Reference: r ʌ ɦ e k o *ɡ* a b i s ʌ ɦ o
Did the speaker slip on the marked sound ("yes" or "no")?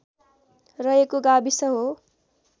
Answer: no